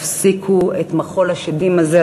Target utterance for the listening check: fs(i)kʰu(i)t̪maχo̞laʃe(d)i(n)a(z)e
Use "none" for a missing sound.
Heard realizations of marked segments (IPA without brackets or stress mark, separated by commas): i, e, d, m, z